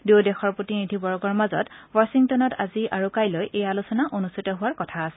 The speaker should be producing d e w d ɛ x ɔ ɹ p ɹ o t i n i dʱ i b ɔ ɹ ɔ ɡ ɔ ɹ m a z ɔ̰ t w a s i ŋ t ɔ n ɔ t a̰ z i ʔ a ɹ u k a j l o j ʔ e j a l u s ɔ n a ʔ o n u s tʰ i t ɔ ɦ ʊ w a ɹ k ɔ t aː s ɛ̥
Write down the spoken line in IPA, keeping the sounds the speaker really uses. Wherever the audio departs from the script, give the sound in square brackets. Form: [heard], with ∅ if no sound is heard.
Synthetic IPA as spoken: d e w d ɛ x ɔ ɹ p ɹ o t i n i dʱ i b ɔ ɹ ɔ ɡ ɔ ɹ m a z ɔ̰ t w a s i ŋ t ɔ n ɔ t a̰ z i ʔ a ɹ u k a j l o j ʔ e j a l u s ɔ n a ʔ o n u s tʰ i t ɔ ɦ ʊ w a ɹ k ɔ [tʰ] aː s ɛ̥